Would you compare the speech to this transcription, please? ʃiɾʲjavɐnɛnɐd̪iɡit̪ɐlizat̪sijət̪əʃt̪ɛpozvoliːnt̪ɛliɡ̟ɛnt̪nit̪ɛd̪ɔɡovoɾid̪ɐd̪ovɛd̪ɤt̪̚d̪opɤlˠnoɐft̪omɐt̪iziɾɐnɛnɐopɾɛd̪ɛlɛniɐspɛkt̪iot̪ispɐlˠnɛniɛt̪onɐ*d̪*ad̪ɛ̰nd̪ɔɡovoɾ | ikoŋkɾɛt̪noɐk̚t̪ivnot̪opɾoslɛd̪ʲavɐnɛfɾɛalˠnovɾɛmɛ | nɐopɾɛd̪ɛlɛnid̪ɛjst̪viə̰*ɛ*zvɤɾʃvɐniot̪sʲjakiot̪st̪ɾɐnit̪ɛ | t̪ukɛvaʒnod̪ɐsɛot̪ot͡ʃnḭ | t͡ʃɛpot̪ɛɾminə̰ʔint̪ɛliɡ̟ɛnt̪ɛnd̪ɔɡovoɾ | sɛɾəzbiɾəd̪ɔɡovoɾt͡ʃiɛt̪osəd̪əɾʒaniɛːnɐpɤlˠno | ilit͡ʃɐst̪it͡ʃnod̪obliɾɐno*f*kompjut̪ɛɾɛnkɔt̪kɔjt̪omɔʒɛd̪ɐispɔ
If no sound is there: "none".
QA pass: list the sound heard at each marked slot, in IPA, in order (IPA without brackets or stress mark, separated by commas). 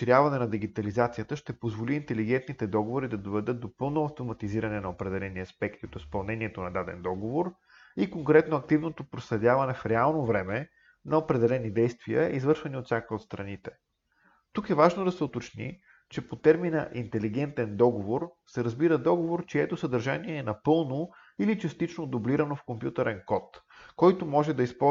d̪, i, f